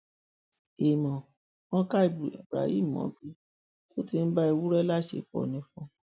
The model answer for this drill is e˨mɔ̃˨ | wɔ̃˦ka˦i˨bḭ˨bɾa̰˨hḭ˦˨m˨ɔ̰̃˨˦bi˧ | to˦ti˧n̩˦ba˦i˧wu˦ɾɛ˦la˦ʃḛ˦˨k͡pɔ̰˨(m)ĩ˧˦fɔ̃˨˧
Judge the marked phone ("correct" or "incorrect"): incorrect